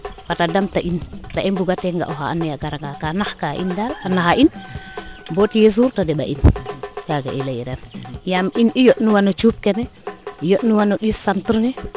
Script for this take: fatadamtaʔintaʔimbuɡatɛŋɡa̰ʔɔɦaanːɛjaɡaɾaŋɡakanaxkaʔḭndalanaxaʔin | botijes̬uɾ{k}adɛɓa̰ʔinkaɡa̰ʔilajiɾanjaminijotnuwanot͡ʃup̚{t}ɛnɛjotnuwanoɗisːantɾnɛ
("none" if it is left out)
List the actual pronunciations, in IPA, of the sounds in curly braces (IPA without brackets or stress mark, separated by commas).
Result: t, k